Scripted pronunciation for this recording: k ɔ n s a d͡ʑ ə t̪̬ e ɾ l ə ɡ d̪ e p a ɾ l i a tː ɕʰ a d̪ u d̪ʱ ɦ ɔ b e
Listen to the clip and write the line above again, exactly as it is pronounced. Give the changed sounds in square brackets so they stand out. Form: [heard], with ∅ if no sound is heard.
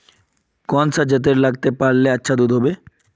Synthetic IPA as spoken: k ɔ n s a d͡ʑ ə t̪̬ e ɾ l [a] ɡ [t̪] e p a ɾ l [e] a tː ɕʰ a d̪ u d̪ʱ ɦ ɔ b e